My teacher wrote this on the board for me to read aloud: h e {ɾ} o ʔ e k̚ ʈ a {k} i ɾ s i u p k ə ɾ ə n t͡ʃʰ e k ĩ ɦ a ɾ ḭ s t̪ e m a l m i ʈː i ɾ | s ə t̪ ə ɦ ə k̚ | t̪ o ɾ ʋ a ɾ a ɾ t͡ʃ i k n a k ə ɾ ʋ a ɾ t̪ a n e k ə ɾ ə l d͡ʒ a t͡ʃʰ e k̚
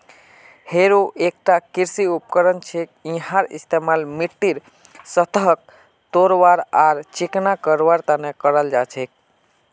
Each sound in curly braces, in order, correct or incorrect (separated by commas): correct, correct